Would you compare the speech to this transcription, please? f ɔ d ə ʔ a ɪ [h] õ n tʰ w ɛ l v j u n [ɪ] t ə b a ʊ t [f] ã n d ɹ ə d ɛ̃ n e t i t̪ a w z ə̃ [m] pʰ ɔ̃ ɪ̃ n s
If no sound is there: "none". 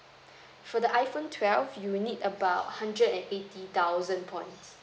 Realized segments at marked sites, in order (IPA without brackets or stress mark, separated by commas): f, i, h, n